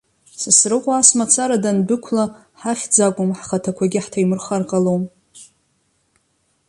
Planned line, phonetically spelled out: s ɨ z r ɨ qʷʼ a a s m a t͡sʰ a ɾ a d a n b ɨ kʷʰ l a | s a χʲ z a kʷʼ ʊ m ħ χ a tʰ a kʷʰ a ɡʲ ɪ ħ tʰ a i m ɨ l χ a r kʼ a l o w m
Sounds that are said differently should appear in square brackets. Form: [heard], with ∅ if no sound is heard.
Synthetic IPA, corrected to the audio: s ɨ [s] r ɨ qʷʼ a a s m a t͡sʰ a ɾ a d a n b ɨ kʷʰ l a | [ħ] a χʲ [d͡z] a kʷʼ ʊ m ħ χ a tʰ a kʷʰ a ɡʲ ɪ ħ tʰ a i m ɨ [r] χ a r [qʼ] a l o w m

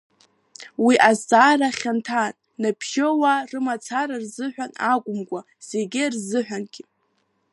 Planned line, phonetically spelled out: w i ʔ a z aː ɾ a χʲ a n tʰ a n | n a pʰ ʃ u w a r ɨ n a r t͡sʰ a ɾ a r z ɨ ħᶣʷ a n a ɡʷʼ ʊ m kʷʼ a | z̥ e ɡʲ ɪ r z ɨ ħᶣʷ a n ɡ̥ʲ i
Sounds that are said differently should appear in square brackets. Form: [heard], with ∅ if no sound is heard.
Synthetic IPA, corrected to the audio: w i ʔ a z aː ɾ a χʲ a n tʰ a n | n a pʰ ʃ [o] w a r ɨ [m] a [∅] t͡sʰ a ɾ a r z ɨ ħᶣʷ a n a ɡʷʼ ʊ m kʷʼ a | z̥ e ɡʲ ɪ r z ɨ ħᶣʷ a n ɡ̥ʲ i

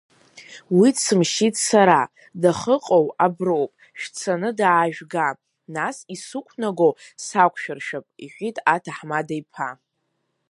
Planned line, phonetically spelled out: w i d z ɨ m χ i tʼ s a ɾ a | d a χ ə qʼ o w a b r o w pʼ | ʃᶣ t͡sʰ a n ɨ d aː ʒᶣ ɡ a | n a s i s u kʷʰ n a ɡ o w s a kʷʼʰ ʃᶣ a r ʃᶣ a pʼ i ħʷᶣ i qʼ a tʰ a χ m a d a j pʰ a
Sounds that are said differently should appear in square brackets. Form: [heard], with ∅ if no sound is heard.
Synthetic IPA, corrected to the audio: w i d [s] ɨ m [ʃ] i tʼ s a ɾ a | d a χ ə qʼ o w a b r o w pʼ | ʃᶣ t͡sʰ a n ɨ d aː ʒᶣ ɡ a | n a s i s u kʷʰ n a ɡ o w s a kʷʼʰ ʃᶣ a r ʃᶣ a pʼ i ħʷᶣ i [tʼ] a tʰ a [ħ] m a d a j pʰ a

